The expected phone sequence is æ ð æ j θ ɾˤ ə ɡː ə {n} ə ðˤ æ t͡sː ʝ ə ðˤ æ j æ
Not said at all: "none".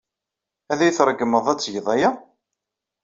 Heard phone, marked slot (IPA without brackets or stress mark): m